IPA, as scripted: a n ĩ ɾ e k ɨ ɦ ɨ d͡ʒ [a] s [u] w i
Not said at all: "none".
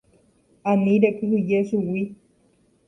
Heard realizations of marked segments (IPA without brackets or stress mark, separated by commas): e, u